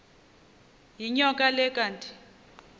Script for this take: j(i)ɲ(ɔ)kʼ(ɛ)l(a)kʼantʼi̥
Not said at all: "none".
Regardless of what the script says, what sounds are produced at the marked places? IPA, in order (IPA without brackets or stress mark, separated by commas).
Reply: i, ɔ, a, ɛ